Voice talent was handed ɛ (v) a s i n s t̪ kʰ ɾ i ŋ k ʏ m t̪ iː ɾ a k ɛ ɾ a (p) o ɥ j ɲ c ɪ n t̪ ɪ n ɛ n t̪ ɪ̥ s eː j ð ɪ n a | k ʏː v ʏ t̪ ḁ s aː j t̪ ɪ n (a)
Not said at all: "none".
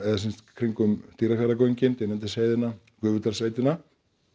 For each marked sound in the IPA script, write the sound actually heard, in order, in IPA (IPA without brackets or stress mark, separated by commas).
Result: ð, k, a